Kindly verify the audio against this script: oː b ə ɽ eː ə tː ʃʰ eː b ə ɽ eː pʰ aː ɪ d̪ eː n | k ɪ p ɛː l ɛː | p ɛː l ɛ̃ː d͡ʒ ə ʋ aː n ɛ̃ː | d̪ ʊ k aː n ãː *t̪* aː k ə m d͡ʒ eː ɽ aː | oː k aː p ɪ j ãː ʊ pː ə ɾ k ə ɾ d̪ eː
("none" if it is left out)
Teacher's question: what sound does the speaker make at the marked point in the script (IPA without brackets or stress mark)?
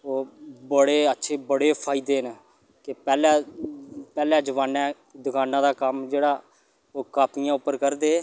d̪